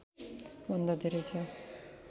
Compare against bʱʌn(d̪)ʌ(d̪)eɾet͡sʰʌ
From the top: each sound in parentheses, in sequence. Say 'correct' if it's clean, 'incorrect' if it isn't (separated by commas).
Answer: correct, correct